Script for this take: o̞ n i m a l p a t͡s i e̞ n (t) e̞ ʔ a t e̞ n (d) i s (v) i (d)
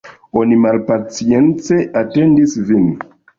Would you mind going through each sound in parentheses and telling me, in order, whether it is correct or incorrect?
incorrect, correct, correct, incorrect

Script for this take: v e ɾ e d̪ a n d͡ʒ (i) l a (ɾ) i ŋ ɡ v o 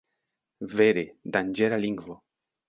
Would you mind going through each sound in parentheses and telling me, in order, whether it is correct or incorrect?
incorrect, incorrect

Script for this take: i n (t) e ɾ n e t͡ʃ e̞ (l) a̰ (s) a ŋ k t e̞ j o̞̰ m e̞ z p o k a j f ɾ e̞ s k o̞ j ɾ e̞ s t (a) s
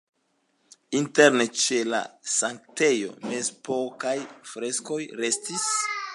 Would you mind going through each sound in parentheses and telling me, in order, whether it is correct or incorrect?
correct, correct, correct, incorrect

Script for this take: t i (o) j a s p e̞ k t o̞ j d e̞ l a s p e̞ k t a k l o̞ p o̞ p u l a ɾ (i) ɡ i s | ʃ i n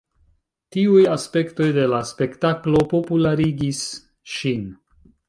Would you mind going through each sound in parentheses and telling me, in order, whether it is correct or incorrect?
incorrect, correct

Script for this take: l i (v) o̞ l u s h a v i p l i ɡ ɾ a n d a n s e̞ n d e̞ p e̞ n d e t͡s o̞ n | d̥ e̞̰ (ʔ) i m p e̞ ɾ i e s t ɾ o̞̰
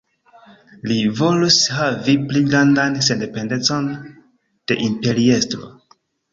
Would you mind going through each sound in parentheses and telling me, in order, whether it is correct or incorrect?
correct, correct

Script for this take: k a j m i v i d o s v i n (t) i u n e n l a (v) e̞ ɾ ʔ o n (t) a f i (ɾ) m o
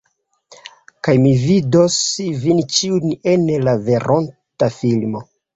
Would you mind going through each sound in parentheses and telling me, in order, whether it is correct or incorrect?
incorrect, correct, correct, incorrect

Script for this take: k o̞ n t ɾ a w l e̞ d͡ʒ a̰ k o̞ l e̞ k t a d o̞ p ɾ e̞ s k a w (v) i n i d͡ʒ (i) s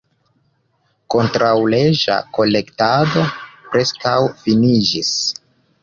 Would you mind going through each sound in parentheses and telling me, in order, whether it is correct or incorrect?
incorrect, correct

